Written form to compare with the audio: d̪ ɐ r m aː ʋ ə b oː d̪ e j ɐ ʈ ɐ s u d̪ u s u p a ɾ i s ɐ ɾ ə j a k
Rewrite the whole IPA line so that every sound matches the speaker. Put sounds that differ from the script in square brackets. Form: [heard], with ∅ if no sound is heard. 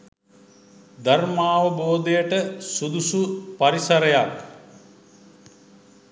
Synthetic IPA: d̪ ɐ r m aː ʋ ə b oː d̪ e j [ə] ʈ [ə] s u d̪ u s u p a ɾ i s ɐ ɾ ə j a k